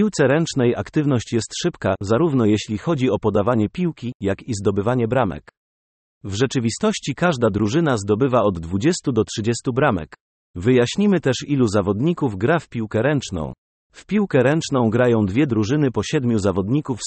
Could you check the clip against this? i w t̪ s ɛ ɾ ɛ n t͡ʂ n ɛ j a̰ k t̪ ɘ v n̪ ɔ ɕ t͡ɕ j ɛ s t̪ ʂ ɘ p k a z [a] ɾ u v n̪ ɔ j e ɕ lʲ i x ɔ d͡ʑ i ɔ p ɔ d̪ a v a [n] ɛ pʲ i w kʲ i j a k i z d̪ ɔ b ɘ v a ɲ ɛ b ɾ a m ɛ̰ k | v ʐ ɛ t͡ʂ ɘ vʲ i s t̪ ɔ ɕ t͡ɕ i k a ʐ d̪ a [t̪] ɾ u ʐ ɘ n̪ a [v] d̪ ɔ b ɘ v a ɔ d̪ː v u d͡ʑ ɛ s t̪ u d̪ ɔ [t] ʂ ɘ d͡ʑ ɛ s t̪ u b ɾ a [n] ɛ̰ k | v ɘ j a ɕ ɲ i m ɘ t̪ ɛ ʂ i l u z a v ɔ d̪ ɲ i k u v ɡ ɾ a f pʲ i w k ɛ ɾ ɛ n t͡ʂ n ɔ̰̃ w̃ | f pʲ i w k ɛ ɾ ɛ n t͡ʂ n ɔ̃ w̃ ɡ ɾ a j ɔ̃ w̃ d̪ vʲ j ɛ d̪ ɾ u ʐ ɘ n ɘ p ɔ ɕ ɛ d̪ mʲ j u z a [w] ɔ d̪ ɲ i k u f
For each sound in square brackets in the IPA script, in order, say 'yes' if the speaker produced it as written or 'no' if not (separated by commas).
yes, no, no, no, yes, no, no